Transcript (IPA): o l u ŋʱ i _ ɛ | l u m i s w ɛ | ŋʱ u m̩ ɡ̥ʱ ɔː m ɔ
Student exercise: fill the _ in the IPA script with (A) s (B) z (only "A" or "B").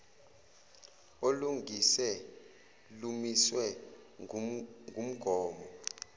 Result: A